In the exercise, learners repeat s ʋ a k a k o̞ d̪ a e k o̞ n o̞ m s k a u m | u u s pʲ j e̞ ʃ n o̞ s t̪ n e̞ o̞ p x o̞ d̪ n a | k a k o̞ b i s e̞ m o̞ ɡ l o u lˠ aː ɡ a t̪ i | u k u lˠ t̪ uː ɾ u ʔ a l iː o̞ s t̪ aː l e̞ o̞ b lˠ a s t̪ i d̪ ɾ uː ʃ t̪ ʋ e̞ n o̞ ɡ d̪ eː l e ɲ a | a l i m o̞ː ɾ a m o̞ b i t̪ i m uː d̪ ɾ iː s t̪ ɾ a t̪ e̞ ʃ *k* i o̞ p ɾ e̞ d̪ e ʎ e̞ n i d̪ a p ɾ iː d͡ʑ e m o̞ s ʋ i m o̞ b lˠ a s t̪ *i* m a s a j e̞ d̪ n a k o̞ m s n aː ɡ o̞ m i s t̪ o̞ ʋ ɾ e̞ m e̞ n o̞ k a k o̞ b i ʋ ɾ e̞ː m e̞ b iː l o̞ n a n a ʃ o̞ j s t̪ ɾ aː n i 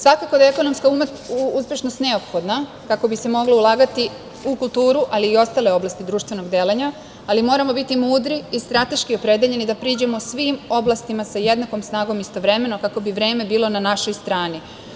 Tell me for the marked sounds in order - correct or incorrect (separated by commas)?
correct, correct